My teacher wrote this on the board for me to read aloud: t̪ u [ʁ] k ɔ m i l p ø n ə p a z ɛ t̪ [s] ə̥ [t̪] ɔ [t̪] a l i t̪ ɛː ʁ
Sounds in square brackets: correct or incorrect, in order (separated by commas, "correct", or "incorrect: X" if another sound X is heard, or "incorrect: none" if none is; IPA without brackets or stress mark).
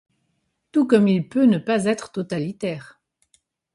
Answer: incorrect: none, incorrect: χ, correct, correct